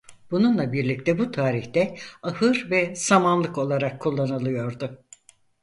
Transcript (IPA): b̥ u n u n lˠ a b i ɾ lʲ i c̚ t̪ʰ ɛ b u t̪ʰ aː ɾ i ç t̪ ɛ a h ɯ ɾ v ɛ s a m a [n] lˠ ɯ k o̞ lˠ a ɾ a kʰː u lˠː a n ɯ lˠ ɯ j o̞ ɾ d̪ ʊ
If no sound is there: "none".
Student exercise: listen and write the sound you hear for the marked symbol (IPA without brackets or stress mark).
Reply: n